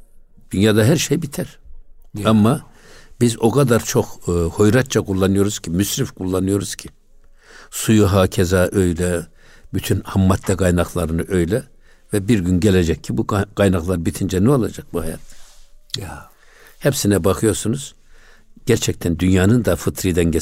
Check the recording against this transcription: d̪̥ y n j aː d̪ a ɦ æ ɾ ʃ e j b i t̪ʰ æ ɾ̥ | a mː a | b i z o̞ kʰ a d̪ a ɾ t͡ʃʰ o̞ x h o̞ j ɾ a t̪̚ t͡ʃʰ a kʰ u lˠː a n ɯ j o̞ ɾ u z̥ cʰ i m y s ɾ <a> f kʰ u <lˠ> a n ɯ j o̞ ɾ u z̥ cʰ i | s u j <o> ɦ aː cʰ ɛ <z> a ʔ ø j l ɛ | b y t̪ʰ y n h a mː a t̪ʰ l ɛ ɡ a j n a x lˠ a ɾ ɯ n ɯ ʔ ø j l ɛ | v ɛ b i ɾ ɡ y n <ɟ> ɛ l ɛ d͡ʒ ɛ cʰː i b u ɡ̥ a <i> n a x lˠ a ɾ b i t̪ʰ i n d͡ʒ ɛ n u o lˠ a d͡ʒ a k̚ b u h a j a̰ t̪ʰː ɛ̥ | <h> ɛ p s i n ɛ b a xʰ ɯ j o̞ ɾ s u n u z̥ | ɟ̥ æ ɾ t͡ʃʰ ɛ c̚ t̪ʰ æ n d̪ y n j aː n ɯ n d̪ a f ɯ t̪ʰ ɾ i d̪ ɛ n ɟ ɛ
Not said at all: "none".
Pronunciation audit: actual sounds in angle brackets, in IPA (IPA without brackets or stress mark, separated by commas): i, lˠː, u, z, ɟ, j, h